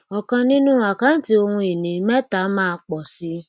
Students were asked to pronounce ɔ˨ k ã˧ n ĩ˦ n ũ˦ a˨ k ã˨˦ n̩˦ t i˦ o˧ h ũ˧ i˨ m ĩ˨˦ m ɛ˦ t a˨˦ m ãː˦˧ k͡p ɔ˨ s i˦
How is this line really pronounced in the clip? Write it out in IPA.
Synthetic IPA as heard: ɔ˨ k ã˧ n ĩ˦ n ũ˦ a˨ k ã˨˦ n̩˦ t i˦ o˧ h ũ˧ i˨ n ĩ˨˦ m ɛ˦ t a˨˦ m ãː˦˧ k͡p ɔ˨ s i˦